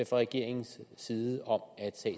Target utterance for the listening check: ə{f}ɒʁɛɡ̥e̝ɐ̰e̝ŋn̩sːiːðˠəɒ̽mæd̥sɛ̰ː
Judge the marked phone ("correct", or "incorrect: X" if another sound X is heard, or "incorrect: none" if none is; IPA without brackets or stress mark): correct